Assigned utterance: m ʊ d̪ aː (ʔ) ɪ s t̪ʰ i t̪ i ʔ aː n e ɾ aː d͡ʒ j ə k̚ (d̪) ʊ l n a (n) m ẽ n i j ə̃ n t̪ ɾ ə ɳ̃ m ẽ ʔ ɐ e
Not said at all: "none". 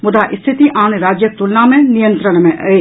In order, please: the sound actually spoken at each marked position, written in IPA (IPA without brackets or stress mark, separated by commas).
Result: ʔ, t̪, none